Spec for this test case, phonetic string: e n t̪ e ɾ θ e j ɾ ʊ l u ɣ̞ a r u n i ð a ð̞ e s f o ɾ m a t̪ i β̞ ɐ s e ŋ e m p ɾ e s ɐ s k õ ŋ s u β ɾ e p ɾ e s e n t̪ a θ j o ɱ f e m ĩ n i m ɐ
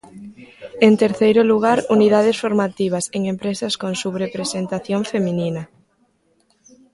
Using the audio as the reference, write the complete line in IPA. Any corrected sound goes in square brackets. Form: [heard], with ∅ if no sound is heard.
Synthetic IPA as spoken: e n t̪ e ɾ θ e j ɾ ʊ l u ɣ̞ a [ɾ] u n i ð a ð̞ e s f o ɾ m a t̪ i β̞ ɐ s e ŋ e m p ɾ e s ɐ s k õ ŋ s u β ɾ e p ɾ e s e n t̪ a θ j o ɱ f e m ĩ n i [n] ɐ